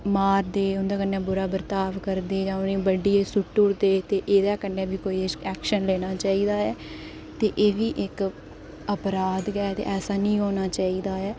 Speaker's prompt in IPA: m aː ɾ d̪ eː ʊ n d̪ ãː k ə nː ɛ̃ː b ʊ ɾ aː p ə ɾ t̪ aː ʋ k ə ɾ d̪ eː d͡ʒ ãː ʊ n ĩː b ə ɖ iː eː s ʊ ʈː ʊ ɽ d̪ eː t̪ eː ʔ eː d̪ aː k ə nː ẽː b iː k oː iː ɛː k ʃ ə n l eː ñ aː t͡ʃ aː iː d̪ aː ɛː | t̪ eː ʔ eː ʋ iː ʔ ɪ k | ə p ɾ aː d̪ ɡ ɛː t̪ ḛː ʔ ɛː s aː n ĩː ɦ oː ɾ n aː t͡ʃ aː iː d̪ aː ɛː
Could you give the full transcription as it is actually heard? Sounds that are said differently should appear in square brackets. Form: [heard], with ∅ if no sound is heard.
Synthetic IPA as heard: m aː ɾ d̪ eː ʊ n d̪ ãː k ə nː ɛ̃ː b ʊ ɾ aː [b] ə ɾ t̪ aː ʋ k ə ɾ d̪ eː d͡ʒ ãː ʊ n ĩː b ə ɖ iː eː s ʊ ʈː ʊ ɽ d̪ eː t̪ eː ʔ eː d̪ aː k ə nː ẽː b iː k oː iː ɛː k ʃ ə n l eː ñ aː t͡ʃ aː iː d̪ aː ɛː | t̪ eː ʔ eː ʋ iː ʔ ɪ k | ə p ɾ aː d̪ ɡ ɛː t̪ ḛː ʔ ɛː s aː n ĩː ɦ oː [∅] n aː t͡ʃ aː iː d̪ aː ɛː